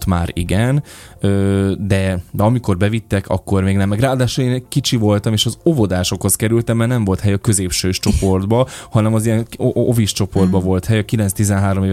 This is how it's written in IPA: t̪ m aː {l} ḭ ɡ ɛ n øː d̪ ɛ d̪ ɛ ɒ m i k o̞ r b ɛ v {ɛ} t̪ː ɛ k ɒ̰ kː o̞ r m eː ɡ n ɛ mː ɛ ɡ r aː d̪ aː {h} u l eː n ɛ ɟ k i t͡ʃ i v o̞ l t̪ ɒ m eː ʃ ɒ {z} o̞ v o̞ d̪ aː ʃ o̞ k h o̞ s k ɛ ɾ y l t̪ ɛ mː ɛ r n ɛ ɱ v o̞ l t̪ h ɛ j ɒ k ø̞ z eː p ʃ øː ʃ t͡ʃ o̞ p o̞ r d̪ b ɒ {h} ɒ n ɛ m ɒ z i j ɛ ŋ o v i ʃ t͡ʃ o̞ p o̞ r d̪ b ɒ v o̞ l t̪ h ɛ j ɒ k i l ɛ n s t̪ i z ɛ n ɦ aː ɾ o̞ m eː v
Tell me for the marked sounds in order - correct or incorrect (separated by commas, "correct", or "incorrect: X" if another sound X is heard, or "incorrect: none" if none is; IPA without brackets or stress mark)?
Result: incorrect: ɾ, incorrect: i, incorrect: ʃ, correct, correct